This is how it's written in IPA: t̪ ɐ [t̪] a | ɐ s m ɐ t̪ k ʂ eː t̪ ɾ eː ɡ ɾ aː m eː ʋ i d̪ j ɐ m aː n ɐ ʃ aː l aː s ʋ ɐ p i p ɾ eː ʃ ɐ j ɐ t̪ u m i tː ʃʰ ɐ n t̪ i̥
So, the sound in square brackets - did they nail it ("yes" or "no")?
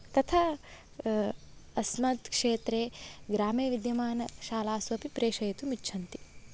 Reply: no